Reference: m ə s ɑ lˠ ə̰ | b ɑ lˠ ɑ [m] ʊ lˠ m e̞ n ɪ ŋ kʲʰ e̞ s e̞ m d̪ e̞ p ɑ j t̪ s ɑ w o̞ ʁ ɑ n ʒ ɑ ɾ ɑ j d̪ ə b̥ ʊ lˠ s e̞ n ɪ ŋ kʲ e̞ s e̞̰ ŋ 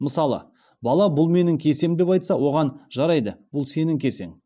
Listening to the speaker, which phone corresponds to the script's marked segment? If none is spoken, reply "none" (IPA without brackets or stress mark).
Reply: b